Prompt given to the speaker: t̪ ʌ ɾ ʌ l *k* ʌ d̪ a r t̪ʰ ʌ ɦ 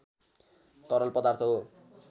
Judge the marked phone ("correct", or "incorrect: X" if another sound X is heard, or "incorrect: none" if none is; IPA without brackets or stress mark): incorrect: p